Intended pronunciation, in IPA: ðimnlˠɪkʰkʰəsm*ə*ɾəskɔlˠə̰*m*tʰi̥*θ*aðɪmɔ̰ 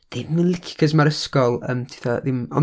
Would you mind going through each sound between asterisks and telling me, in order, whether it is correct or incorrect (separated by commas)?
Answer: incorrect, correct, correct